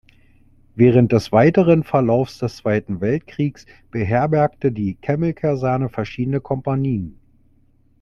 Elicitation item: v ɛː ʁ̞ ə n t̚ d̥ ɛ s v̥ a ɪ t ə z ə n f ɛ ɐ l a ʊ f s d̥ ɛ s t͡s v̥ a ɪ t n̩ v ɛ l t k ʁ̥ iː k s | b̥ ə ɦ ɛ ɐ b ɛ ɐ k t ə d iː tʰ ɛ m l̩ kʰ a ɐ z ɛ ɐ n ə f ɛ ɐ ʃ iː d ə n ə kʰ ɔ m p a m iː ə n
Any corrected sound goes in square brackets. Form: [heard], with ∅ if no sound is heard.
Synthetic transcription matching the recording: v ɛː ʁ̞ ə n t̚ d̥ ɛ s v̥ a ɪ t ə [ʁ] ə n f ɛ ɐ l a ʊ f s d̥ ɛ s t͡s v̥ a ɪ t n̩ v ɛ l t k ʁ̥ iː k s | b̥ ə ɦ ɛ ɐ b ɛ ɐ k t ə d iː [kʰ] ɛ m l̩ kʰ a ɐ z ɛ ɐ n ə f ɛ ɐ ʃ iː d ə n ə kʰ ɔ m p a [n] iː ə n